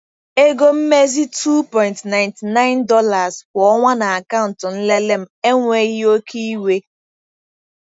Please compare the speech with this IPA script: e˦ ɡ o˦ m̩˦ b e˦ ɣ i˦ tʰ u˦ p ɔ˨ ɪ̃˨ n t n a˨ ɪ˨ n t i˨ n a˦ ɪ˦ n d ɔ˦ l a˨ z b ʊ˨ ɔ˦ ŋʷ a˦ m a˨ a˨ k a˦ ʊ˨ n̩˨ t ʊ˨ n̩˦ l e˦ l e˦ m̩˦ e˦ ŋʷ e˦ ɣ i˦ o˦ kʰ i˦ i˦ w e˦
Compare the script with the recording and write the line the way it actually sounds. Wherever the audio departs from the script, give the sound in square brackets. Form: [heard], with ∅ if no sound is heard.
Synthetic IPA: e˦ ɡ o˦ m̩˦ [m] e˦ [z] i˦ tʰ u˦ p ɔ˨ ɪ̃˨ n t n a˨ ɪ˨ n t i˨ n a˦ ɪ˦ n d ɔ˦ l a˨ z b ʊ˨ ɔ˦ ŋʷ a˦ [n] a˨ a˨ k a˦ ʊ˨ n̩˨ t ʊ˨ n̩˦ l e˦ l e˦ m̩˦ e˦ ŋʷ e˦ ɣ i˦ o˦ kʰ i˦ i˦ w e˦